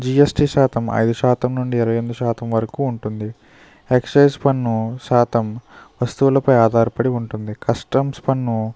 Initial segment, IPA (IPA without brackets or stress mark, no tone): d͡ʒ